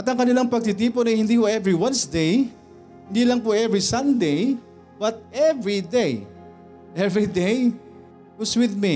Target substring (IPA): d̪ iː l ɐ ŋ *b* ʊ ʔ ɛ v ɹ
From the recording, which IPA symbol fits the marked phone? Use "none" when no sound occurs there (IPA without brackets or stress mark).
p